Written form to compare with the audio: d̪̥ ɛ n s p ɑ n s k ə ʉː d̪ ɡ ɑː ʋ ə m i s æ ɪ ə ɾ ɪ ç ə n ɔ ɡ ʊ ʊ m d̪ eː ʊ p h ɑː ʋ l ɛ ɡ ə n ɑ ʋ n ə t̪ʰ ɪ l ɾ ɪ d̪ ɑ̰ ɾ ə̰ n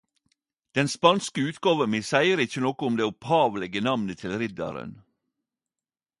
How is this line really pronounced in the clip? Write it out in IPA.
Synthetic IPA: d̪̥ ɛ n s p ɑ n s k ə ʉː t̪ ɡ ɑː ʋ ə m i s æ ɪ ə ɾ ɪ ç ə n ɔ k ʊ ʊ m d̪ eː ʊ p h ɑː ʋ l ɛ ɡ ə n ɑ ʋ n ə t̪ʰ ɪ l ɾ ɪ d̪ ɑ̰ ɾ ə̰ n